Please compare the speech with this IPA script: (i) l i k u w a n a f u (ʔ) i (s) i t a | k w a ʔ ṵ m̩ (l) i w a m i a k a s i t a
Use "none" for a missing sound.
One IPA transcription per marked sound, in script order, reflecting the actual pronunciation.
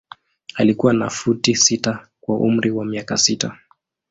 a, t, s, ɾ

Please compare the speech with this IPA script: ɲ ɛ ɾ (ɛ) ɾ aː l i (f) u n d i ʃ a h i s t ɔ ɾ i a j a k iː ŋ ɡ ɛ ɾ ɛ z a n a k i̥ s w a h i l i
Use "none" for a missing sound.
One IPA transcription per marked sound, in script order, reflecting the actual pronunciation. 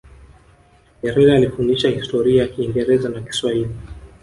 ɛ, f

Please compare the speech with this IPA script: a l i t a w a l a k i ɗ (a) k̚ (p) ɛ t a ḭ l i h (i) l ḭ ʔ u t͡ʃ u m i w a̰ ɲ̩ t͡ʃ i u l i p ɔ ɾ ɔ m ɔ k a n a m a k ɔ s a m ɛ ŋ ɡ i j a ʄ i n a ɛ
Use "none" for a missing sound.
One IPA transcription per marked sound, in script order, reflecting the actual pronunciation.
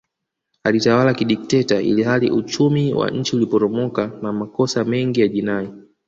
i, t, a

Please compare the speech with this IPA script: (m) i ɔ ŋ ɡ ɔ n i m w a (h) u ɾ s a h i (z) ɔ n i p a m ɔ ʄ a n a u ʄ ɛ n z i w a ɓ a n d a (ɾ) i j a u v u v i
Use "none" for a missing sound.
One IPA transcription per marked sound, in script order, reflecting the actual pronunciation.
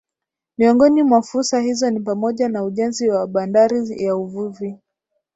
m, f, z, ɾ

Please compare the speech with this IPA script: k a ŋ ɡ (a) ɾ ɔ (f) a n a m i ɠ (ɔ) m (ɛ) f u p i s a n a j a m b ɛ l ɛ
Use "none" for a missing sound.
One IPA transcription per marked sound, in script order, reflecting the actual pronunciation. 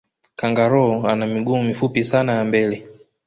a, none, u, i

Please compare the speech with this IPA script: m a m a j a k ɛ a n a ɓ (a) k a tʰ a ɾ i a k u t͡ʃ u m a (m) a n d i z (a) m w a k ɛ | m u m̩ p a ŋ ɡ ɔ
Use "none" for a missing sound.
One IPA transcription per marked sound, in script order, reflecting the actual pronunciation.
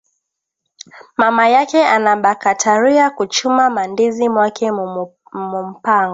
a, m, i

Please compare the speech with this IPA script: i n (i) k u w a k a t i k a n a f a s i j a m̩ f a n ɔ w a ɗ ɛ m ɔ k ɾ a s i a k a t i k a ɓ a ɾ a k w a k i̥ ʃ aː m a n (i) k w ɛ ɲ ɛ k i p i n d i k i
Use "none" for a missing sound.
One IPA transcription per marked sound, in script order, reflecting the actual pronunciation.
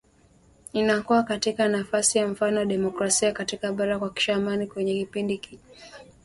a, i

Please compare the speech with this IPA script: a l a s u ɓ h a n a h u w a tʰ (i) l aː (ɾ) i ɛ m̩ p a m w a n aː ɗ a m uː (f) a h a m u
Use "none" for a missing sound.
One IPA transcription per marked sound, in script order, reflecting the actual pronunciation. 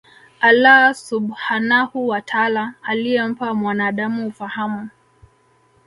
a, l, f

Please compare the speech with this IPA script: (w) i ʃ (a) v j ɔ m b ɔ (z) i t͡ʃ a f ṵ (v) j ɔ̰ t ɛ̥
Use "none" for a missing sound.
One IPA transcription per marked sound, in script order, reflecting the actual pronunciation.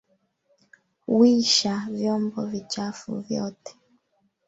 w, a, v, v

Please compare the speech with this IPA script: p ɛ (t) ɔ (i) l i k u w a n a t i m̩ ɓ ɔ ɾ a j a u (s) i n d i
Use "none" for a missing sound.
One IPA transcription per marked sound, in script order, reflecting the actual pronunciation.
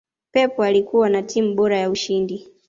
p, a, ʃ

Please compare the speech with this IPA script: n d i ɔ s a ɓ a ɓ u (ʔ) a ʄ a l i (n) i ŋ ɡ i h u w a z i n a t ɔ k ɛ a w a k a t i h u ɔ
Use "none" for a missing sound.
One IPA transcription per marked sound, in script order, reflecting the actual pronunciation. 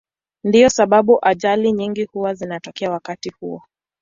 ʔ, ɲ

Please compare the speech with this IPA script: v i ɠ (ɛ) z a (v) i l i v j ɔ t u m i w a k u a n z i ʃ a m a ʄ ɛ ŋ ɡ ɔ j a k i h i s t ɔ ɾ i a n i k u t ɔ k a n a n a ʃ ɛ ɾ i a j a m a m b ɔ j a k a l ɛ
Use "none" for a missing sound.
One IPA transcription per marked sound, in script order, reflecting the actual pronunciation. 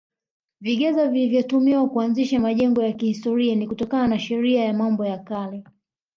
ɛ, v

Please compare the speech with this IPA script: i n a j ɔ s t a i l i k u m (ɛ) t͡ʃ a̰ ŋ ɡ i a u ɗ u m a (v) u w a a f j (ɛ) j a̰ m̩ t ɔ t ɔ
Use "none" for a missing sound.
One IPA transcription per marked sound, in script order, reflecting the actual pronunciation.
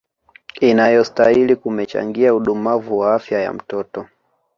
ɛ, v, a

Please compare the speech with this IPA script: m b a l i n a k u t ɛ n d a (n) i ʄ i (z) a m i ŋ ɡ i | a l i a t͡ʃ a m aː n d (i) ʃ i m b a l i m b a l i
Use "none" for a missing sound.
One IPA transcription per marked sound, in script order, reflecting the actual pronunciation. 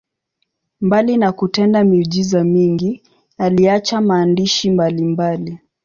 m, z, i

